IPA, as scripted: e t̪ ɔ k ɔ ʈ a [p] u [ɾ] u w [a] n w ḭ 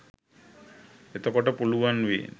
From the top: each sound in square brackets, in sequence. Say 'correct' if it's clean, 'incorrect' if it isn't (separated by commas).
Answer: correct, incorrect, correct